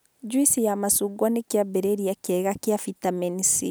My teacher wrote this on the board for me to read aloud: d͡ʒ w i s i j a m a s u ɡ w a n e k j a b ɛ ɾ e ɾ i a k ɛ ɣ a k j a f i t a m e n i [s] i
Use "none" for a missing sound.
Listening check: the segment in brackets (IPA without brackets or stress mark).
s